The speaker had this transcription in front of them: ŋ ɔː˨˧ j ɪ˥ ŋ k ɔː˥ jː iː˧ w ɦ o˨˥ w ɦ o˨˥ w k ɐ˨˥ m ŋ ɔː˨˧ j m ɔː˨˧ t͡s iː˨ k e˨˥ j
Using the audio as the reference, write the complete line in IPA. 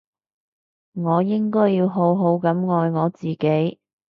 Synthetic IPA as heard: ŋ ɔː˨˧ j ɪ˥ ŋ k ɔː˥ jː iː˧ w ɦ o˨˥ w ɦ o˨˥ w k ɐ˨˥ m ŋ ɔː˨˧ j ŋ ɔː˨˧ t͡s iː˨ k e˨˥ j